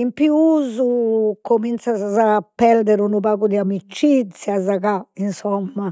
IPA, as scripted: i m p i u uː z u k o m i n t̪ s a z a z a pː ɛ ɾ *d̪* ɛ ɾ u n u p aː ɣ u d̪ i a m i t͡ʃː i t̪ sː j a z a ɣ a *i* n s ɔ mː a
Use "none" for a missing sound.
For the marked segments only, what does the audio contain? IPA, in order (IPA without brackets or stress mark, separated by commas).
d̪, i